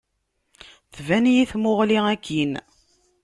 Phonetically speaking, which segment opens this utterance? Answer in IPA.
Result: θ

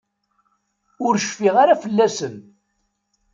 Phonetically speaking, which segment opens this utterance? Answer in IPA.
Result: ʊ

